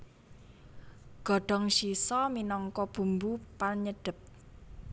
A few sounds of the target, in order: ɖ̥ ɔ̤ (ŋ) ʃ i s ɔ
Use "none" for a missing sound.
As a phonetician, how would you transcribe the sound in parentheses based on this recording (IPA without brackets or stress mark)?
ŋ